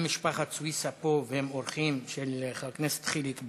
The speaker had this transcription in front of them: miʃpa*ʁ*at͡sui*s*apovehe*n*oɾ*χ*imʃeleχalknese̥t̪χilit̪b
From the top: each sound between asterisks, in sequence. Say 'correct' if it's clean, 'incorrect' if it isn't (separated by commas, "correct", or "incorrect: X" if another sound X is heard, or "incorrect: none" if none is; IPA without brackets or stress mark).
incorrect: χ, correct, incorrect: m, correct